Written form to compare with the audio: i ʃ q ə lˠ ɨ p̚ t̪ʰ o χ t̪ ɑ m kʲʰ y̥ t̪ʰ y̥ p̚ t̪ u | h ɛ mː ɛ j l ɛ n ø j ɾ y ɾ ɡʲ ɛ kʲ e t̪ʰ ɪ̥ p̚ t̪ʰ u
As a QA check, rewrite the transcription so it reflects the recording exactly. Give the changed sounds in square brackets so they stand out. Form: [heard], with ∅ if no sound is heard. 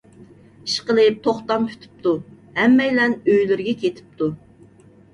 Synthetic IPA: i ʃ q ə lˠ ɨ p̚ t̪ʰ o χ t̪ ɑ m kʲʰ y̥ t̪ʰ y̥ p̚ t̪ u | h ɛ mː ɛ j l ɛ n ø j [l] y ɾ ɡʲ ɛ kʲ e t̪ʰ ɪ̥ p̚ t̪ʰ u